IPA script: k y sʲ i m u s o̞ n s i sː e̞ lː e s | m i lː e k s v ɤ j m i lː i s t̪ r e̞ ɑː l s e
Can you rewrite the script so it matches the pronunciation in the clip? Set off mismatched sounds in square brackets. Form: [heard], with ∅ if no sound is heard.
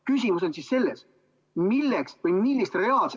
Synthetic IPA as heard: k y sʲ i m u s o̞ n s i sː e̞ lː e s | m i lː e k s v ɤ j m i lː i s t̪ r e̞ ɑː l s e